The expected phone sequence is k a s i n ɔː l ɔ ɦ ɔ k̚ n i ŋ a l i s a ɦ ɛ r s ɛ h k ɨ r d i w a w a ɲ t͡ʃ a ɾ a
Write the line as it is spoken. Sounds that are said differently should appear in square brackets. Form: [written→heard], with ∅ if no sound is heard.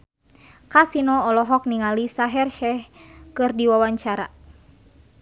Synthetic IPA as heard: k a s i n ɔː l ɔ ɦ ɔ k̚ n i ŋ a l i s a ɦ ɛ r [s→ʃ] ɛ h k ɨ r d i w a w a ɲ t͡ʃ a ɾ a